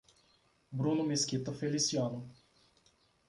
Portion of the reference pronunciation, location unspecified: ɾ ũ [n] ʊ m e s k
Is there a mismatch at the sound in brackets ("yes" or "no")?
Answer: no